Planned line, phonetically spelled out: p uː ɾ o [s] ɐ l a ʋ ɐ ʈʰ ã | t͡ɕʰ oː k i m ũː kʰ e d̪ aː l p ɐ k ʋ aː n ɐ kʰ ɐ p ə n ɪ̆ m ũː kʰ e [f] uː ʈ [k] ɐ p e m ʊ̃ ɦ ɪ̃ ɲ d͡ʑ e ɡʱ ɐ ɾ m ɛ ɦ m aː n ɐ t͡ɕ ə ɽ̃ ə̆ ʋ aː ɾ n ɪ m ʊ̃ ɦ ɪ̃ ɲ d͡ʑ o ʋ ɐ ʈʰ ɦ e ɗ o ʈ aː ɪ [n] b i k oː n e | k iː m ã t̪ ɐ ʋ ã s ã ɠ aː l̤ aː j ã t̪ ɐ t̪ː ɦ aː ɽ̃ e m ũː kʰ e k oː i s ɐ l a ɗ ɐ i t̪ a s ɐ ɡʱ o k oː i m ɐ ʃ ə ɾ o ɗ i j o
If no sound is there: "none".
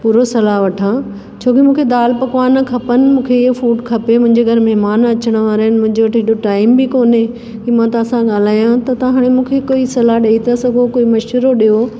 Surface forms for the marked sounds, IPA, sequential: s, f, kʰ, m

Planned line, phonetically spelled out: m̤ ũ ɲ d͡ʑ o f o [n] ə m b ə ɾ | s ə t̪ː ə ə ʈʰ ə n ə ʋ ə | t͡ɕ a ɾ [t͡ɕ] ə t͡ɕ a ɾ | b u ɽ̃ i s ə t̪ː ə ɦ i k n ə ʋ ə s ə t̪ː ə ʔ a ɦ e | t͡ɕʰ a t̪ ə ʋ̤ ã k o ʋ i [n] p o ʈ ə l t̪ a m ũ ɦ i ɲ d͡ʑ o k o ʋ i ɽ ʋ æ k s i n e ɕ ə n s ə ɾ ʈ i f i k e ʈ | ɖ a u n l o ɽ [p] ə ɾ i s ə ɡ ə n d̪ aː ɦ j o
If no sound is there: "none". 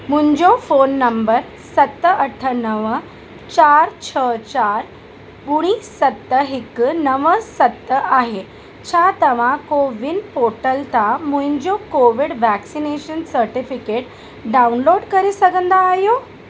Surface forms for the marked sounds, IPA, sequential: nː, t͡ɕʰ, n, k

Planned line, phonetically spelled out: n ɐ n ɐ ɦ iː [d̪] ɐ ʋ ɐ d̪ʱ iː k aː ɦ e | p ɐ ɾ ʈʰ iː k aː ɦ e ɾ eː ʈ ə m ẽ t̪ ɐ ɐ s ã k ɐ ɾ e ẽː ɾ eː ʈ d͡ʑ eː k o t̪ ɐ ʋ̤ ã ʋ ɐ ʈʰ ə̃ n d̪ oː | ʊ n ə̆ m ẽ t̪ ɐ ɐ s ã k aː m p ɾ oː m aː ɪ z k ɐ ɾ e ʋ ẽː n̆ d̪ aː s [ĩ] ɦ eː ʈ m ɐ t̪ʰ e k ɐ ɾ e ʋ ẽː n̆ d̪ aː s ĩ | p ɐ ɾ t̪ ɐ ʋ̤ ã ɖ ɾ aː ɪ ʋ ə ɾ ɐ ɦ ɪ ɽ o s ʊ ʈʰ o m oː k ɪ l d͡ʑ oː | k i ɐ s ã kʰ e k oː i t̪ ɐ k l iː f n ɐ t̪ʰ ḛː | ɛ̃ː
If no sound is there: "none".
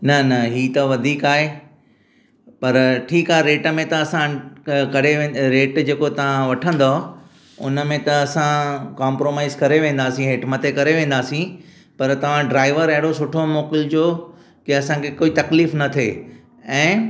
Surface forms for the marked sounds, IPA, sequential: t̪, ĩ

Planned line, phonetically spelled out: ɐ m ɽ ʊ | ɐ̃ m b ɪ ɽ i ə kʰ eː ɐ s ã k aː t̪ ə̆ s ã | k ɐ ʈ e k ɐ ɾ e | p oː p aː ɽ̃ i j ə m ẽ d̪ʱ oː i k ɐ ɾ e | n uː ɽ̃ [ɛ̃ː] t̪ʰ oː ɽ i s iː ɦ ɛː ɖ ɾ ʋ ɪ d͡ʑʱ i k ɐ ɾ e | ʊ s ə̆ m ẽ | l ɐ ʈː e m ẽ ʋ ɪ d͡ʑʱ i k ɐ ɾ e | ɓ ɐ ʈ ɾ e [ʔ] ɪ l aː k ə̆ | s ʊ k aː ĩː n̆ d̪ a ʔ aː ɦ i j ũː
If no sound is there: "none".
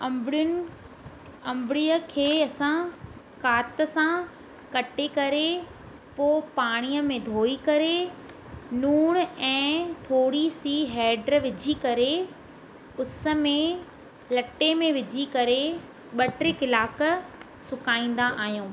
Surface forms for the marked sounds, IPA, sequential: ɛ̃ː, k

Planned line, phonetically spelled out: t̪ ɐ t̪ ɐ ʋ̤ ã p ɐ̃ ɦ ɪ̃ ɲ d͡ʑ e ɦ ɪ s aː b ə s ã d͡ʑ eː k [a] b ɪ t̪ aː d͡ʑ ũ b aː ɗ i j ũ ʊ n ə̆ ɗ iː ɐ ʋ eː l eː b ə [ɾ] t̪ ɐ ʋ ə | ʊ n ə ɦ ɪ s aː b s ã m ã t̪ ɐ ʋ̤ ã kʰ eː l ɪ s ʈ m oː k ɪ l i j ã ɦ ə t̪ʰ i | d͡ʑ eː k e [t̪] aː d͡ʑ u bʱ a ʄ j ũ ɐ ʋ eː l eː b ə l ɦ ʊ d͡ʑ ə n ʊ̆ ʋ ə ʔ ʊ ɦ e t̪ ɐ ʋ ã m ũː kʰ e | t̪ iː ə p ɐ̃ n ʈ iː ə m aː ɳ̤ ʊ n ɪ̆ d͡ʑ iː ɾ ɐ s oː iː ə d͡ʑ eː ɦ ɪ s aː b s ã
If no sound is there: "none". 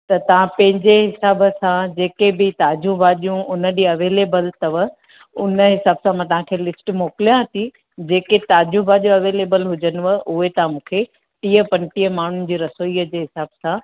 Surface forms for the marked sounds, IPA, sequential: e, l, t̪

